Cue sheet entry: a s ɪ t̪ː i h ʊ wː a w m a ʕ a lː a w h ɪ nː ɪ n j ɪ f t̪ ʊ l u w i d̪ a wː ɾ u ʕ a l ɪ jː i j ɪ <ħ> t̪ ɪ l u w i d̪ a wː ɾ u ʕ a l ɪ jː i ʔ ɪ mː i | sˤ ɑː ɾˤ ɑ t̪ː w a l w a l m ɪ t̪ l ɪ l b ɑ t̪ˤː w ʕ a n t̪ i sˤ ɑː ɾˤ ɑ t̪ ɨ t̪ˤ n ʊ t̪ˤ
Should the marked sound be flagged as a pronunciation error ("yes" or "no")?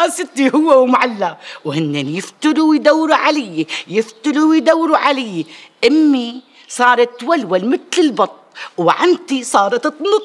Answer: yes